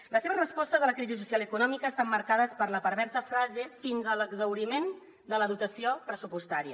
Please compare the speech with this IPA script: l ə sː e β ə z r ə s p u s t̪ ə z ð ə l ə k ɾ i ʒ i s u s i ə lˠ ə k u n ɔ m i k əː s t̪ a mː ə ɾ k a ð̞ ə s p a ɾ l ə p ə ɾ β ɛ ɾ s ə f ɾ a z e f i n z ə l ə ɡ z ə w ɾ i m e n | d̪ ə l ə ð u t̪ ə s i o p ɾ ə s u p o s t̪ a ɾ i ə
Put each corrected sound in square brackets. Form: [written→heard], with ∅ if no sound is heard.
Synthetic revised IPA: l ə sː e β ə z r ə s p [u→ɔ] s t̪ ə z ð ə l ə k ɾ i [ʒ→z] i s u s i [ə→a] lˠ ə k u n ɔ m i k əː s t̪ a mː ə ɾ k a ð̞ ə s p [a→ə] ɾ l ə p ə ɾ β ɛ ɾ s ə f ɾ a z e f i n z ə l ə ɡ z ə w ɾ i m e n | d̪ ə l ə ð u t̪ ə s i o p ɾ ə s u p [o→u] s t̪ a ɾ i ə